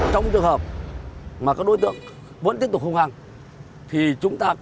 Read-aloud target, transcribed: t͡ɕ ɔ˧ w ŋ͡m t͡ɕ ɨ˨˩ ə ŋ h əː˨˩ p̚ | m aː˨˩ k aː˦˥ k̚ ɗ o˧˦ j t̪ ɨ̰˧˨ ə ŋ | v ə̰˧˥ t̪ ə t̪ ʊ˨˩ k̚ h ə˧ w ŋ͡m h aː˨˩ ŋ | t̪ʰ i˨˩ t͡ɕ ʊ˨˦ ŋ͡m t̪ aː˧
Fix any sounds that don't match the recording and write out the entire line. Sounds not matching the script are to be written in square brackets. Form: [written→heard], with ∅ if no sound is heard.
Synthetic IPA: t͡ɕ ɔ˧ w ŋ͡m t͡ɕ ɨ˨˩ ə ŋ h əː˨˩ p̚ | m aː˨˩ k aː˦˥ k̚ ɗ o˧˦ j t̪ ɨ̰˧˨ ə ŋ | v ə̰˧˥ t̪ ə t̪ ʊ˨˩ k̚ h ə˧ w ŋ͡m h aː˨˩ ŋ | t̪ʰ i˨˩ t͡ɕ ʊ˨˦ ŋ͡m t̪ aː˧